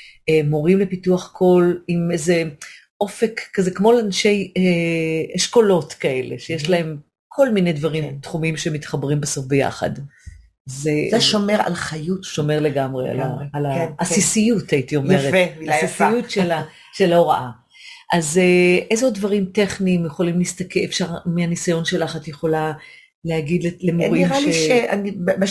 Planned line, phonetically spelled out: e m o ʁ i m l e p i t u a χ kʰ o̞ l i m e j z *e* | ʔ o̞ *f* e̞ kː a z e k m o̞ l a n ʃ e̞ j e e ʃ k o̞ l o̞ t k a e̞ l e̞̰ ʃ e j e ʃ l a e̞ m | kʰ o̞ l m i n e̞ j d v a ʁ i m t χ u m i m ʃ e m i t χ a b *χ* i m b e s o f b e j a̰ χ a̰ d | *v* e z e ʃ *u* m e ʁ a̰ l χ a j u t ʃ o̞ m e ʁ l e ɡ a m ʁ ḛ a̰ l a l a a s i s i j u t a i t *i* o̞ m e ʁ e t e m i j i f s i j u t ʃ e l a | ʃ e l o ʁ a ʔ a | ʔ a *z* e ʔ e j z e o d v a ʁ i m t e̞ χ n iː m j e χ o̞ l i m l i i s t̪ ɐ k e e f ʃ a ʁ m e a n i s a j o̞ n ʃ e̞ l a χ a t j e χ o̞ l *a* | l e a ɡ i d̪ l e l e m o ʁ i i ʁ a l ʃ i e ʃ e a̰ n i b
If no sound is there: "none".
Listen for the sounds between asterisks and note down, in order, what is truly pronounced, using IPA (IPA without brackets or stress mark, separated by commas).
e, f, ʁ, z, o, i, z, a